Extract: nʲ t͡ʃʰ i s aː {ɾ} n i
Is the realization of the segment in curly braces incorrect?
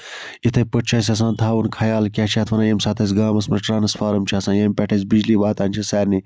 no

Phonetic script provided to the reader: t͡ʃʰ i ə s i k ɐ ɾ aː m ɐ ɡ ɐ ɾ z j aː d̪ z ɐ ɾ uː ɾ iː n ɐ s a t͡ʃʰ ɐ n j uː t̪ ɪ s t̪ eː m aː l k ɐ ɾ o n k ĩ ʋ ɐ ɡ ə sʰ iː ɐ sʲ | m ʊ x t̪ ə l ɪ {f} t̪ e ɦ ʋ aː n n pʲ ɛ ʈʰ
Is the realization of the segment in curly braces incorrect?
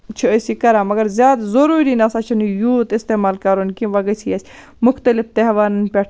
no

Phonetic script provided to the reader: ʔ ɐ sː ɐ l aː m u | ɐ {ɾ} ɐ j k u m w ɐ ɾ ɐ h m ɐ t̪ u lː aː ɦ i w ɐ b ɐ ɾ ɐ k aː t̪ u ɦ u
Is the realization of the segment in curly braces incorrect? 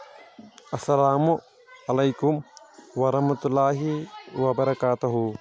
yes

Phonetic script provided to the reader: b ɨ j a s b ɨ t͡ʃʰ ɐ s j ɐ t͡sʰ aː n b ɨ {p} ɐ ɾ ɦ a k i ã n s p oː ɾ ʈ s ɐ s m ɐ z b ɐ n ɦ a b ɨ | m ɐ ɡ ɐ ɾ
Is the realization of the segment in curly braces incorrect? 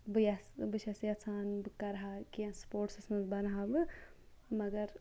yes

